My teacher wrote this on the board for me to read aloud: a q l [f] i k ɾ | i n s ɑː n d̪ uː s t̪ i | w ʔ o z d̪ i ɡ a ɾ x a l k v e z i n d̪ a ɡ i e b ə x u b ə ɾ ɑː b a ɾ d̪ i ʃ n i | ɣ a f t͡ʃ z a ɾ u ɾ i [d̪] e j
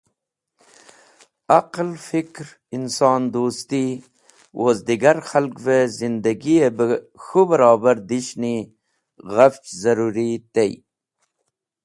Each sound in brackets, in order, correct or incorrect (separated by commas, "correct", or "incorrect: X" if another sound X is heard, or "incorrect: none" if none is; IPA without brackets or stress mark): correct, incorrect: t̪